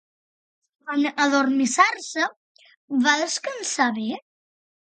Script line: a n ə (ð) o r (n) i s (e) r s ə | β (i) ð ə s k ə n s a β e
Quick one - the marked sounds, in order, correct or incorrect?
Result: correct, incorrect, incorrect, incorrect

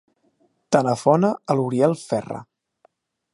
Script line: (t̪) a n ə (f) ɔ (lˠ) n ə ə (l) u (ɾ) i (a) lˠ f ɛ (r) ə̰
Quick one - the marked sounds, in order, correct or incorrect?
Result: correct, correct, incorrect, correct, correct, incorrect, correct

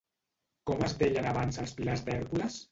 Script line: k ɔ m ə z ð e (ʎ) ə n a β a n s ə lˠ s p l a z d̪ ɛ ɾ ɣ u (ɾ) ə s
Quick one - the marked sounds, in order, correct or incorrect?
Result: correct, incorrect

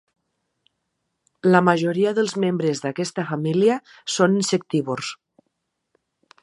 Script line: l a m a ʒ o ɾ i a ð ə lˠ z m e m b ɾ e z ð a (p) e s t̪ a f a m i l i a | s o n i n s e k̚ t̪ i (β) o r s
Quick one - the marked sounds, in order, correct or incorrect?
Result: incorrect, correct

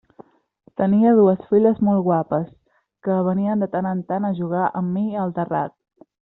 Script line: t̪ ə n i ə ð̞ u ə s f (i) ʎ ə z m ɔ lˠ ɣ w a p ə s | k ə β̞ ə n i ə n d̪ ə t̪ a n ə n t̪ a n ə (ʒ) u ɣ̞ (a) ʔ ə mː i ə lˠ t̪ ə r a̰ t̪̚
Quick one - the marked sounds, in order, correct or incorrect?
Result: correct, correct, correct

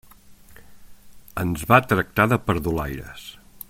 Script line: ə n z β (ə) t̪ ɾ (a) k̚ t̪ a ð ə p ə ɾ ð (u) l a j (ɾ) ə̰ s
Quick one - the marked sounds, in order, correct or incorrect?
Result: incorrect, incorrect, correct, correct

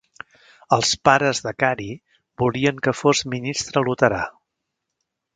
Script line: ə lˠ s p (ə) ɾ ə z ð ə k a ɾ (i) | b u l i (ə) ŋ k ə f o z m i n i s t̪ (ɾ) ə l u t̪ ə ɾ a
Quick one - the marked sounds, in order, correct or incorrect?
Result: incorrect, correct, correct, correct

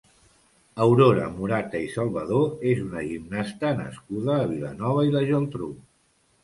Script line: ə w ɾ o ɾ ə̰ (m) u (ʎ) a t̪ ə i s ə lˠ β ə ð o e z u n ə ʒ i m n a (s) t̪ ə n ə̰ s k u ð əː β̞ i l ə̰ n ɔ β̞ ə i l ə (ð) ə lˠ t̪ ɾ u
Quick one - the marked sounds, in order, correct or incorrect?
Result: correct, incorrect, correct, incorrect

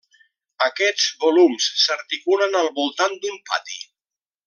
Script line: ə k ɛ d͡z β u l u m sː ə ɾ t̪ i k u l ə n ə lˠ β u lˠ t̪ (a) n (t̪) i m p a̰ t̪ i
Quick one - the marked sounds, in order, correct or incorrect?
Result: correct, incorrect

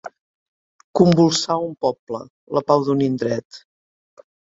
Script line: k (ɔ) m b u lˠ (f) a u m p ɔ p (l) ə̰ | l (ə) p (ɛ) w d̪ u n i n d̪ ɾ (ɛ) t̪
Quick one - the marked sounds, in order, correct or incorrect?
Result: incorrect, incorrect, correct, correct, incorrect, correct

